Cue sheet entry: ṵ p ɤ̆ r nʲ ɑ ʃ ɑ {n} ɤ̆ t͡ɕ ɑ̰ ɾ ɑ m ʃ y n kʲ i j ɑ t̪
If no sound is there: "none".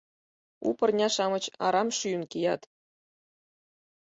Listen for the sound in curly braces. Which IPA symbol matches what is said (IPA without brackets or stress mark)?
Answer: m